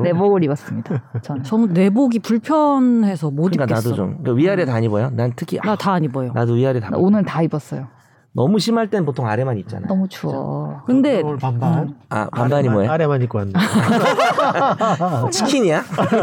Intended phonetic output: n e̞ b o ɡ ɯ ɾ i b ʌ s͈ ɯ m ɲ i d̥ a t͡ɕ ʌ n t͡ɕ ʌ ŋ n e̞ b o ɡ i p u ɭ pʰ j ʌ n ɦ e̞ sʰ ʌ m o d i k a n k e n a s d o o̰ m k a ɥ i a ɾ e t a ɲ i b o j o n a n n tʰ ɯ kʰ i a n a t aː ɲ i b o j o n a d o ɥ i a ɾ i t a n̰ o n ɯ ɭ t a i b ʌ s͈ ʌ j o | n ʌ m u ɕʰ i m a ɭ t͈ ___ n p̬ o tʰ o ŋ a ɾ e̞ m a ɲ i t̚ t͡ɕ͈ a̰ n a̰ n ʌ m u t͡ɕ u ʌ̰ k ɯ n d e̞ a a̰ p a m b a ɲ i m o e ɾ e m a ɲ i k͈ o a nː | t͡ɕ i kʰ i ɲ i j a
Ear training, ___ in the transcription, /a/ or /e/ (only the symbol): e